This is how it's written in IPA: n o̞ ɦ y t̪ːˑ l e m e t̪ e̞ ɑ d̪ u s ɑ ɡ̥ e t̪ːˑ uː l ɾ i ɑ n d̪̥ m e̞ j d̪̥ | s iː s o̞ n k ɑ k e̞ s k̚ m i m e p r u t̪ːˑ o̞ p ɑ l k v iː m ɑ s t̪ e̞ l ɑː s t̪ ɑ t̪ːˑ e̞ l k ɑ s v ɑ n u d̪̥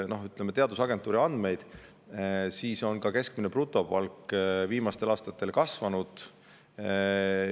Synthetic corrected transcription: n o̞ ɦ y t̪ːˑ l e m e t̪ e̞ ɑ d̪ u s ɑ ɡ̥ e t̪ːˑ uː ɾ i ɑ n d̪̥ m e̞ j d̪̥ | s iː s o̞ n k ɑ k e̞ s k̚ m i n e p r u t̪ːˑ o̞ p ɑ l k v iː m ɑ s t̪ e̞ l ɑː s t̪ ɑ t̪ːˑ e̞ l k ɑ s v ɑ n u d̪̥